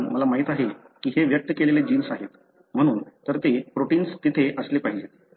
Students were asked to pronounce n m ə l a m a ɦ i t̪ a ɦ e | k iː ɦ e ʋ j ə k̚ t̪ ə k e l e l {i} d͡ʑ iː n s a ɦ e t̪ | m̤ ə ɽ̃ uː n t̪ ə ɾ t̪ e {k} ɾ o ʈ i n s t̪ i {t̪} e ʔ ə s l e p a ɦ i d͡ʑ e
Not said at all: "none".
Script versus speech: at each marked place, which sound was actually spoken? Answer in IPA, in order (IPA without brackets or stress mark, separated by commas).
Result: e, p, t̪ʰ